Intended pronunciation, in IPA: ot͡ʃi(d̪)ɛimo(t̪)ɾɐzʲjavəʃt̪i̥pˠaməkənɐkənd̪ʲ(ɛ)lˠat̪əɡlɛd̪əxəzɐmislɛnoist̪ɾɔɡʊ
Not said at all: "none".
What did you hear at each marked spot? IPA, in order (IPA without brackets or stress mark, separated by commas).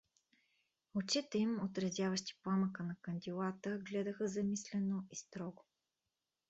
t̪, t̪, i